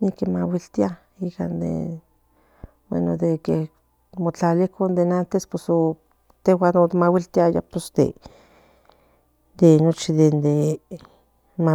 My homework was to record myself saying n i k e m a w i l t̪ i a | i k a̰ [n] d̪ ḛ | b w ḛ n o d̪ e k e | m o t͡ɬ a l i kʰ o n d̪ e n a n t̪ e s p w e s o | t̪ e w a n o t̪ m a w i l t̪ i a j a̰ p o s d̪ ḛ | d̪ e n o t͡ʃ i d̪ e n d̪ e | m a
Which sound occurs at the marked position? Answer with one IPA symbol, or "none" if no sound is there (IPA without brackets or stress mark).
n